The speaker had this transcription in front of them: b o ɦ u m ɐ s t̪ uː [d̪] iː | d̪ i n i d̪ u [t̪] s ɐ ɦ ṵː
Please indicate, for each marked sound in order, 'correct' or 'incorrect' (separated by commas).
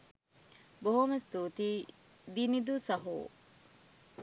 incorrect, incorrect